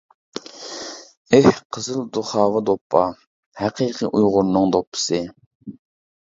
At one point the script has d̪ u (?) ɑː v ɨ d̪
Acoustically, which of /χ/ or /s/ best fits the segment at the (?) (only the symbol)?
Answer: χ